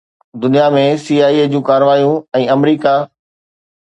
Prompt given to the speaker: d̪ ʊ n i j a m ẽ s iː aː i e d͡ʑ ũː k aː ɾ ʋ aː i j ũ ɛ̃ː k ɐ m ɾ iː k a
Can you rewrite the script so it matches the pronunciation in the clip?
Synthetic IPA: d̪ ʊ n i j a m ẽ s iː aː i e d͡ʑ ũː k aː ɾ ʋ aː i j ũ ɛ̃ː ɐ m ɾ iː k a